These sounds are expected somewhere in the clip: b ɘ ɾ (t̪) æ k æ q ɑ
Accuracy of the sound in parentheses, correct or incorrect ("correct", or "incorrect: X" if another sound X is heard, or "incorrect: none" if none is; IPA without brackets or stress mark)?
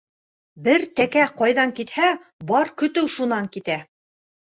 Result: correct